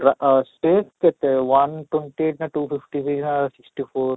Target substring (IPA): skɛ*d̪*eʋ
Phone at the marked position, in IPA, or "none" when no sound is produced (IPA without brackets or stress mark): t̪